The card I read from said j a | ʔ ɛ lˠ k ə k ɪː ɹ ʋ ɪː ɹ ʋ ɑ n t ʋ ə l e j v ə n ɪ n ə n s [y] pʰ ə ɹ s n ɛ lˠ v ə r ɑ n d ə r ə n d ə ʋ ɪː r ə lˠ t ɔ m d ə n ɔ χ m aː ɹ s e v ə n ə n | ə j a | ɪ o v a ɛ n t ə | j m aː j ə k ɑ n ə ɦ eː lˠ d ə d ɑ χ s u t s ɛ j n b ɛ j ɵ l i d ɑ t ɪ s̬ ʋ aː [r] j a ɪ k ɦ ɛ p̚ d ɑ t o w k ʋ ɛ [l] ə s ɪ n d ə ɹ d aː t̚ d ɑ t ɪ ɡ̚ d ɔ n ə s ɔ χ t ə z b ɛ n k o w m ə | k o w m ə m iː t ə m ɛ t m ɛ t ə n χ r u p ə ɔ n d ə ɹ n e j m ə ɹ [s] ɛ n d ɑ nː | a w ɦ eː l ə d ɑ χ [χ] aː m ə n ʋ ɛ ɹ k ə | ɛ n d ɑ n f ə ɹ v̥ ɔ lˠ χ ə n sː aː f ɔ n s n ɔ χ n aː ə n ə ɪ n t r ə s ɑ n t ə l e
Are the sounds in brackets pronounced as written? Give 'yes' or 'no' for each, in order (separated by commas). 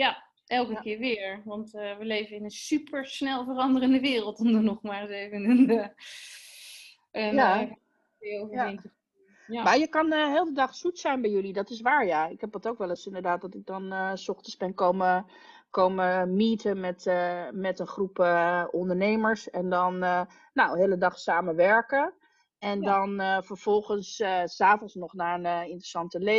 yes, no, yes, yes, no